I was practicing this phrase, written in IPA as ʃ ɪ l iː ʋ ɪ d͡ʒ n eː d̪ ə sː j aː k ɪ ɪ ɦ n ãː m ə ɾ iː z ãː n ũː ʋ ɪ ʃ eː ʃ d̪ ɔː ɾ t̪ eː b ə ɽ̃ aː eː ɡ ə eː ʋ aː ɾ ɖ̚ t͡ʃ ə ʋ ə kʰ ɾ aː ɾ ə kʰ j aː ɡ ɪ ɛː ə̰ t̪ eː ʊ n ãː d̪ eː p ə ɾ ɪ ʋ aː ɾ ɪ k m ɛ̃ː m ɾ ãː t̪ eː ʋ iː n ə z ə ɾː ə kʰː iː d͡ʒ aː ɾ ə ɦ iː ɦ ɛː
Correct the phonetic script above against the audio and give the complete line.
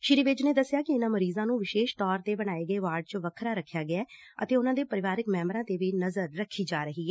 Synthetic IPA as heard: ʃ ɪ ɾ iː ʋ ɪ d͡ʒ n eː d̪ ə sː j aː k ɪ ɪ n ãː m ə ɾ iː z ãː n ũː ʋ ɪ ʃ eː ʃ t̪ ɔː ɾ t̪ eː b ə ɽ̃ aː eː ɡ ə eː ʋ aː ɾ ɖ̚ t͡ʃ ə ʋ ə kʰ ɾ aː ɾ ə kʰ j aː ɡ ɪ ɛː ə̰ t̪ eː ʊ n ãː d̪ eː p ə ɾ ɪ ʋ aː ɾ ɪ k m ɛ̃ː m ɾ ãː t̪ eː ʋ iː n ə z ə ɾː ə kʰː iː d͡ʒ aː ɾ ə ɦ iː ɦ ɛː